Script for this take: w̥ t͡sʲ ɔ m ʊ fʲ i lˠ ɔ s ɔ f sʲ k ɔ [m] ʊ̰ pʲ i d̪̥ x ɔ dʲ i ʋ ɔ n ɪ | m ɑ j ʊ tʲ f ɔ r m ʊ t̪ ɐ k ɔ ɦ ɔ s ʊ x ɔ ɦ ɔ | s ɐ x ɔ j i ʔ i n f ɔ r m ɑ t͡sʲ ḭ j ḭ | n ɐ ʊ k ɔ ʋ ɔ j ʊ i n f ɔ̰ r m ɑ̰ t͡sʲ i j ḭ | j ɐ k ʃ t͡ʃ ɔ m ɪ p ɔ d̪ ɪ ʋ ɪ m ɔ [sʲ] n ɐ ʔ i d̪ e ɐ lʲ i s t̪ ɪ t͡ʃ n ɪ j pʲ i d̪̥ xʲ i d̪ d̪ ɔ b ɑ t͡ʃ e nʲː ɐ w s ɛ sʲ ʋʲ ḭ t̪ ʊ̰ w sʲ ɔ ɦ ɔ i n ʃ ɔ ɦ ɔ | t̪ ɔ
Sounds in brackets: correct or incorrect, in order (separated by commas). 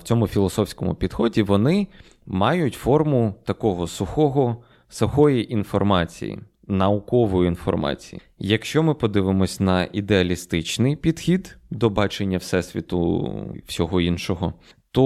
correct, correct